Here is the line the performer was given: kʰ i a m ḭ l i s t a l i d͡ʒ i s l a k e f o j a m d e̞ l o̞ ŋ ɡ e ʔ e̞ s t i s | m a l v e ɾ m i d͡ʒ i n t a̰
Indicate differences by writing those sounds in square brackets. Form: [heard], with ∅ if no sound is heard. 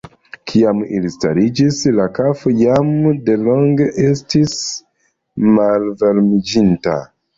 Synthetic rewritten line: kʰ i a m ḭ l i s t a [ɾ] i d͡ʒ i s l a k [a] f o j a m d e̞ l o̞ ŋ ɡ e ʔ e̞ s t i s | m a l v e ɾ m i d͡ʒ i n t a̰